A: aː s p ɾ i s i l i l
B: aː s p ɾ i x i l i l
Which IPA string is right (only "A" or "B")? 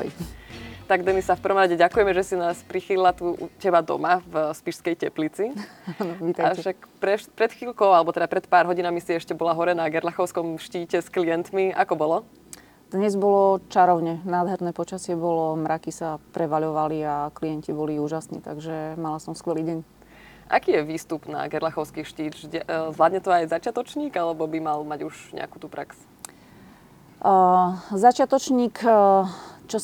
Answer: B